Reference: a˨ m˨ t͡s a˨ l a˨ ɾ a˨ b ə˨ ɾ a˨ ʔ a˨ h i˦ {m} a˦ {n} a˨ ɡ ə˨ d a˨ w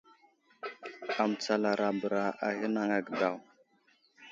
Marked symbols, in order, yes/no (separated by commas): no, no